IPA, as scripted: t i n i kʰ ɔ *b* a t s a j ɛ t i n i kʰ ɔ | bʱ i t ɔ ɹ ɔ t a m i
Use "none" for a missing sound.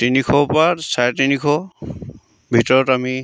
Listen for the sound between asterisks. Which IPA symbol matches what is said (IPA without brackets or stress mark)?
p